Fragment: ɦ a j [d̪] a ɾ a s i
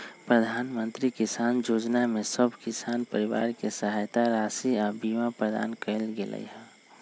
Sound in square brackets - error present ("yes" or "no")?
yes